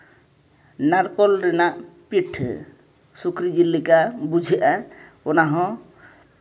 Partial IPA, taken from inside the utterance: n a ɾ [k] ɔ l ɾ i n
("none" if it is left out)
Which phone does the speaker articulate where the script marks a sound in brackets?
k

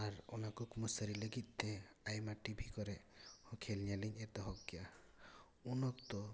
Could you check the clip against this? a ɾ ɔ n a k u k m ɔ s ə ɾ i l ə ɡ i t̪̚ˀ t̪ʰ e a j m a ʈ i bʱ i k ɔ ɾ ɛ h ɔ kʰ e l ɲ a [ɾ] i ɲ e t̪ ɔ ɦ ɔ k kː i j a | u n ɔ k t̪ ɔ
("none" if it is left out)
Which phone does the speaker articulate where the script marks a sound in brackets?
l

